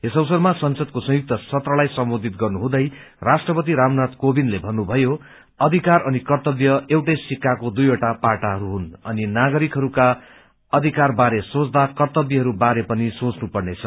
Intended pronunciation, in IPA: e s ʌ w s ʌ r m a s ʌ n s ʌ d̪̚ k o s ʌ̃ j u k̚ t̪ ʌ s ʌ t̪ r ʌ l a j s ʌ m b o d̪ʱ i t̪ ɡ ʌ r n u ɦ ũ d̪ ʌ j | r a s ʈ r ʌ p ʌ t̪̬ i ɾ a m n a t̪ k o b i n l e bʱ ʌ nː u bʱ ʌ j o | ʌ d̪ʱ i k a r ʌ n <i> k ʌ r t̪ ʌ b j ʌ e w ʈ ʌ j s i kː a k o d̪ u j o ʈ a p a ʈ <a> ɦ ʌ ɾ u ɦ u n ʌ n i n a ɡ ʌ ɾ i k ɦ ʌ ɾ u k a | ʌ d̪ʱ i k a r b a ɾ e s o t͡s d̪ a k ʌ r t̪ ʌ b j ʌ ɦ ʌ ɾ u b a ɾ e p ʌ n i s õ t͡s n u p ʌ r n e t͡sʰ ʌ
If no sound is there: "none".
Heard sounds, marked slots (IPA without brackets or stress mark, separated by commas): i, a